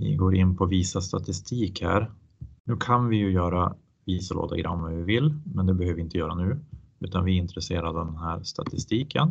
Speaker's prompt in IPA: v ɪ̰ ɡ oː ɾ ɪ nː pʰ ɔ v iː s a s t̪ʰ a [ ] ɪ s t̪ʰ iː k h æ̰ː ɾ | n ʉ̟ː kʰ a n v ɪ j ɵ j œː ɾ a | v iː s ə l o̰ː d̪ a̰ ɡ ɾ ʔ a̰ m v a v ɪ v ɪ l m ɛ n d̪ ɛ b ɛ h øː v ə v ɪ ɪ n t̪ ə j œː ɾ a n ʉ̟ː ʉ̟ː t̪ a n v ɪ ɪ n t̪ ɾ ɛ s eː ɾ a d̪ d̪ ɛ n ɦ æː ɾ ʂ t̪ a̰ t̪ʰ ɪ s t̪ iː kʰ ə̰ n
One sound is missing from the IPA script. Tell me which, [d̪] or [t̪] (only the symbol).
t̪